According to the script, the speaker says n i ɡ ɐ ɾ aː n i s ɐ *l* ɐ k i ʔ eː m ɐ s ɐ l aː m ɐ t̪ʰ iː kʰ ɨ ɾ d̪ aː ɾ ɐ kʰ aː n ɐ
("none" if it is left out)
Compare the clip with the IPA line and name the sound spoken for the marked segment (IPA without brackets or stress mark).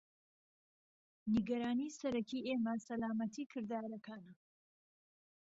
ɾ